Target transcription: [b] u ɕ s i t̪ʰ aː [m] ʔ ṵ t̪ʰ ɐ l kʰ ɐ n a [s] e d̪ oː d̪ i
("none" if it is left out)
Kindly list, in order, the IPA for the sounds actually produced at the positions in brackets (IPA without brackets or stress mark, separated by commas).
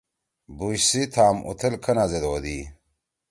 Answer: b, m, z